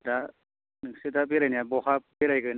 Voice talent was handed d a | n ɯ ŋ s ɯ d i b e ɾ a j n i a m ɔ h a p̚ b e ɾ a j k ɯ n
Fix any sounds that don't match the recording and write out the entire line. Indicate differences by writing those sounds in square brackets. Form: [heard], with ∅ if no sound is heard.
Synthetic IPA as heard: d a | n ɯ ŋ s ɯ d [a] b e ɾ a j n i a [b] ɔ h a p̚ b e ɾ a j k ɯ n